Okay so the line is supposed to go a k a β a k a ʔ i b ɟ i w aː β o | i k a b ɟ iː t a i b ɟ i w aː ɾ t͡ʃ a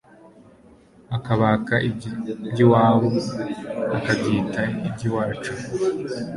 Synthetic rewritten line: a k a β a k a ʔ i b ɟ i w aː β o | a k a b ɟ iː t a i b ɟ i w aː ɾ t͡ʃ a